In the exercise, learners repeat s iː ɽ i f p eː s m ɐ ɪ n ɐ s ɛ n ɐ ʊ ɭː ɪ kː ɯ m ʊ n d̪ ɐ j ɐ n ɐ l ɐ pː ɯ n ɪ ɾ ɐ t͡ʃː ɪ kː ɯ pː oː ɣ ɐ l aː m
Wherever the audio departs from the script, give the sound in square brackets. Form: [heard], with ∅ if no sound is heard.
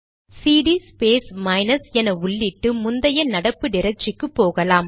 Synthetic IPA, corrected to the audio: s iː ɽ i [s] p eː s m ɐ ɪ n ɐ s ɛ n ɐ ʊ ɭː ɪ [ʈː] ɯ m ʊ n d̪ ɐ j ɐ n ɐ [ɽ] ɐ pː ɯ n ɪ ɾ ɐ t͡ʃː ɪ kː ɯ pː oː ɣ ɐ l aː m